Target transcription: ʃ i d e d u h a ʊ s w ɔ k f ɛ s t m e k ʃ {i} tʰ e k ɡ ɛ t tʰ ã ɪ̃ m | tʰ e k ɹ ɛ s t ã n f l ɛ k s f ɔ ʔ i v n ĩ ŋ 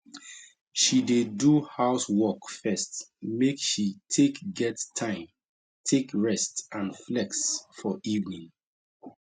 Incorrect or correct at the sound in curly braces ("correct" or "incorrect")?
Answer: correct